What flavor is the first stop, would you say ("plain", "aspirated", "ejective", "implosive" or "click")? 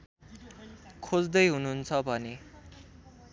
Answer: aspirated